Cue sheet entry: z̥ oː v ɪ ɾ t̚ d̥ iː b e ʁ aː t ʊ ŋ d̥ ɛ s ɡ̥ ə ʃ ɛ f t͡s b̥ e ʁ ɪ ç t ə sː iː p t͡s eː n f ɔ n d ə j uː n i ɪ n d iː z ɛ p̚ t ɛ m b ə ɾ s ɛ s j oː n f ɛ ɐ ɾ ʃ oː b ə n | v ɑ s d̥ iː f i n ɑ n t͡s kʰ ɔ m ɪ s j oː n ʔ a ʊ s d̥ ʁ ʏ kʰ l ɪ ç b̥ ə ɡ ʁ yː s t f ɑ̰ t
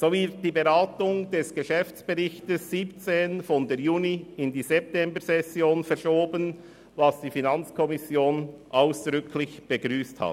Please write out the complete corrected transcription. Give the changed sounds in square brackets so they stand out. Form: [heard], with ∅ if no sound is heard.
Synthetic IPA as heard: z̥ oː v ɪ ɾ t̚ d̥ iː b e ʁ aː t ʊ ŋ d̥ ɛ s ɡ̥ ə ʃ ɛ f t͡s b̥ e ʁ ɪ ç t ə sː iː p t͡s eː n f ɔ n d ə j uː n i ɪ n d iː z ɛ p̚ t ɛ m b ə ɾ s ɛ s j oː n f ɛ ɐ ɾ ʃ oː b ə n | v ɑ s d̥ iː f i n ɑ n t͡s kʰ ɔ m ɪ s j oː n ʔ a ʊ s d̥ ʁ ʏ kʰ l ɪ ç b̥ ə ɡ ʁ yː s t [h] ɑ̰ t

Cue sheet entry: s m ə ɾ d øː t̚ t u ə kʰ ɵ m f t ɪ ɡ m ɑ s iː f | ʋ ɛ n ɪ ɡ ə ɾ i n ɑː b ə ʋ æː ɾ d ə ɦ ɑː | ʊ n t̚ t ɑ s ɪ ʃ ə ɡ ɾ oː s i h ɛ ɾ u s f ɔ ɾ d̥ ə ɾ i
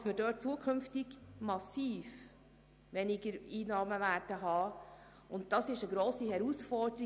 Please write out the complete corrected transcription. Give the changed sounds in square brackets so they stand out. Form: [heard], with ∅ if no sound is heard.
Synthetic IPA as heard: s m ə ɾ d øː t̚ [t͡s] u ə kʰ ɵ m f t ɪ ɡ m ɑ s iː f | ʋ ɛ n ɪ ɡ ə ɾ [iː] n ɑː [m] ə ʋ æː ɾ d ə ɦ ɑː | ʊ n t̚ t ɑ s ɪ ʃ ə ɡ ɾ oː s i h ɛ ɾ u s f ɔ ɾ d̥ ə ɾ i

